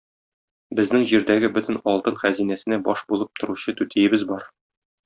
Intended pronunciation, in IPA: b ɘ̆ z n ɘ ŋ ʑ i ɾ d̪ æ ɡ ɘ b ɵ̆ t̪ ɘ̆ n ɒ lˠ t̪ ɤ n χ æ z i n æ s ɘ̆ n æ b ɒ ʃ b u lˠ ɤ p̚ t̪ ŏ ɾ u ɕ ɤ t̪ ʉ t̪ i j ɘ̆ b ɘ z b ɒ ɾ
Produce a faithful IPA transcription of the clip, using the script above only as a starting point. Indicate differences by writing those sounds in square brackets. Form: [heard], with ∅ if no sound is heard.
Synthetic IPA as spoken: b ɘ̆ z n ɘ ŋ ʑ i ɾ d̪ æ ɡ ɘ b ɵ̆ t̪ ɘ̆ n ɒ lˠ t̪ ɤ n χ æ z i n æ s ɘ̆ n æ b ɒ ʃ b u lˠ ɤ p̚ t̪ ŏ ɾ u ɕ ɤ t̪ ʉ t̪ i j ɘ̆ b ɘ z b ɒ ɾ